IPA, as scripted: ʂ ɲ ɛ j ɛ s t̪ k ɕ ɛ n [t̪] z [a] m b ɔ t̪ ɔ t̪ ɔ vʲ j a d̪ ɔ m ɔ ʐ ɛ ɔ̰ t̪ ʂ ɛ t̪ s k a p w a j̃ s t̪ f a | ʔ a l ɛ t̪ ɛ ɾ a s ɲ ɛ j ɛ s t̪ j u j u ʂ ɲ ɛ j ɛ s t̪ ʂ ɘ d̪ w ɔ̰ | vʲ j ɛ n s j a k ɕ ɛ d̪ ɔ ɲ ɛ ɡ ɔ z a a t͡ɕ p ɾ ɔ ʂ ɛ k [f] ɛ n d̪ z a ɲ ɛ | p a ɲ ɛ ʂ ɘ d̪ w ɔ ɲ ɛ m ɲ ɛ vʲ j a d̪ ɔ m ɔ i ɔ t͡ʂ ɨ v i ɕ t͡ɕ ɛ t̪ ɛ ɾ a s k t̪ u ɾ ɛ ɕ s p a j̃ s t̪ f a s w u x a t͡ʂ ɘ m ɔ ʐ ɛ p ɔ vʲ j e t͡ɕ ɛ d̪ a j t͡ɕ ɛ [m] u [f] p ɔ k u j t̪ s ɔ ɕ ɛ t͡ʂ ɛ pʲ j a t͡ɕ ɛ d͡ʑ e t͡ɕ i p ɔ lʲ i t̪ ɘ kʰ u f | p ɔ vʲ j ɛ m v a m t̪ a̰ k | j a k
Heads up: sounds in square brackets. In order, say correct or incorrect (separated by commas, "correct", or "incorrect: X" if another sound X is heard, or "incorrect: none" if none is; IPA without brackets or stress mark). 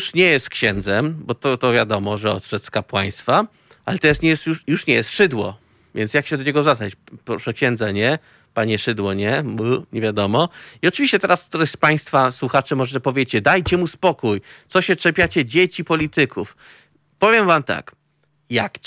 incorrect: d̪, incorrect: ɛ, incorrect: ɕ, correct, incorrect: s